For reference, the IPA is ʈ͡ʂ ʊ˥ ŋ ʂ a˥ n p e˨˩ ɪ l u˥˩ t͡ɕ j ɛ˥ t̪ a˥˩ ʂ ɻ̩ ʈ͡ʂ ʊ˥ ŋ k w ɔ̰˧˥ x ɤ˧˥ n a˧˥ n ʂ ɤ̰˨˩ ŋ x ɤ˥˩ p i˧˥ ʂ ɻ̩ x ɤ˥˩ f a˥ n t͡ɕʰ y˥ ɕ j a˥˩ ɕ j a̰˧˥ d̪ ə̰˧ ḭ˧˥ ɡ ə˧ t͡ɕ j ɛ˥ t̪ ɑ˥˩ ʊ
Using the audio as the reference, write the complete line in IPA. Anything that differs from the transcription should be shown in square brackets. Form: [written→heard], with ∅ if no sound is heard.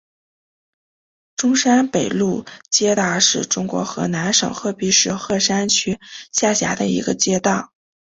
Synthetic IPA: ʈ͡ʂ ʊ˥ ŋ ʂ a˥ n p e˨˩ ɪ l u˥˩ t͡ɕ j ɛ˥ t̪ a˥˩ ʂ ɻ̩ ʈ͡ʂ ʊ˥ ŋ k w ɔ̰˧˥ x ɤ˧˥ n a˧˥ n ʂ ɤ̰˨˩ ŋ x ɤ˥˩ p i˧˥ ʂ ɻ̩ x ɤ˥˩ [f→ʂ] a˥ n t͡ɕʰ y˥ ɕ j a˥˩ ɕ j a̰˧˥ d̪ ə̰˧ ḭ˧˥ ɡ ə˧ t͡ɕ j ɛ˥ t̪ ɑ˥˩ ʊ